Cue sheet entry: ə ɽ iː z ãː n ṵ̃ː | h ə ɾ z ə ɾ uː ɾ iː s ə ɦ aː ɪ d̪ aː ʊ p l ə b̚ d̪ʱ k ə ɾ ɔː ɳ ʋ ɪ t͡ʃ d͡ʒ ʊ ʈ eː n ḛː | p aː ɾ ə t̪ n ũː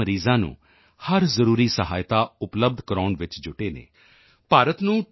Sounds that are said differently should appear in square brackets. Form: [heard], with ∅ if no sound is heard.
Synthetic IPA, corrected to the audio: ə [ɾ] iː z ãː n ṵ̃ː | h ə ɾ z ə ɾ uː ɾ iː s ə ɦ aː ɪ [t̪] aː ʊ p l ə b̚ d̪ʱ k ə ɾ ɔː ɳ ʋ ɪ t͡ʃ d͡ʒ ʊ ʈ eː n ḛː | p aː ɾ ə t̪ n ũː